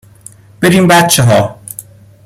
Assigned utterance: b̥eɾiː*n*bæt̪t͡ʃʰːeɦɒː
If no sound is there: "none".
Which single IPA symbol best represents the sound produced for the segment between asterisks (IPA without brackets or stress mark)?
m